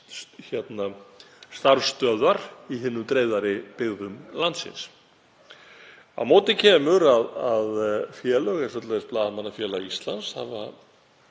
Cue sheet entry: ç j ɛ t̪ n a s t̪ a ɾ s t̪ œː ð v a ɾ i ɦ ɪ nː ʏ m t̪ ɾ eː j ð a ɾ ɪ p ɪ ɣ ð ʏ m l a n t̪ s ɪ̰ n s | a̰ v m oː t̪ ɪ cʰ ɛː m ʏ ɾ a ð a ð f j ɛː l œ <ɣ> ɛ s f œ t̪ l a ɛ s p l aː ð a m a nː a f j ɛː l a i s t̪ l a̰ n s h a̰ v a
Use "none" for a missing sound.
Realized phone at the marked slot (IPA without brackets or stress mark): ɣ